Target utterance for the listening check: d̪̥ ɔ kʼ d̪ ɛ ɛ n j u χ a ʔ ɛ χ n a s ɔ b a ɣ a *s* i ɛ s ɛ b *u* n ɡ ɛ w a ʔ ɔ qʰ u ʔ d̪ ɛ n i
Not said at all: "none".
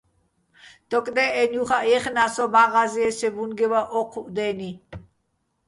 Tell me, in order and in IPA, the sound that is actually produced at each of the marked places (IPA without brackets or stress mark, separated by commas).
z, u